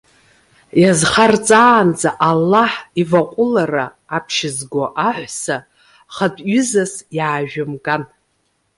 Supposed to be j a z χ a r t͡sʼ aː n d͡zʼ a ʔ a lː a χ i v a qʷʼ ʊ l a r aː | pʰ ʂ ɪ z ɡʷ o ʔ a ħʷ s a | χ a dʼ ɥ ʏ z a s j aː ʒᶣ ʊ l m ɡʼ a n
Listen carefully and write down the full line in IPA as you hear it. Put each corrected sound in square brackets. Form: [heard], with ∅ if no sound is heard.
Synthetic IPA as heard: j a z χ a r t͡sʼ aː n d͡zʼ a ʔ a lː a [ħ] i v a qʷʼ ʊ l a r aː | pʰ [ʃ] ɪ z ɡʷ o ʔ a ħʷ s a | χ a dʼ ɥ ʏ z a s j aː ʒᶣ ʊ [∅] m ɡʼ a n